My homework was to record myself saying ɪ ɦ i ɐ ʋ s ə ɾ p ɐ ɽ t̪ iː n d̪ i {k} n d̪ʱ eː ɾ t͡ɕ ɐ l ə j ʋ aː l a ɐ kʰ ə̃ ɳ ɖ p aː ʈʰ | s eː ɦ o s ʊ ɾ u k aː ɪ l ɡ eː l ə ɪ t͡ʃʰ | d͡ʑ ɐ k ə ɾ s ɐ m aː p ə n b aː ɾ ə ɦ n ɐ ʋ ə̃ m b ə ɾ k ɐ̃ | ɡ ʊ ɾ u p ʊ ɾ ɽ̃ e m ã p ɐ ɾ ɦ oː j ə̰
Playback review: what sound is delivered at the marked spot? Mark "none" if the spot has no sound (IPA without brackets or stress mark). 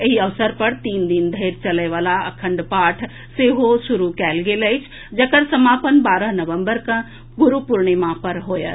none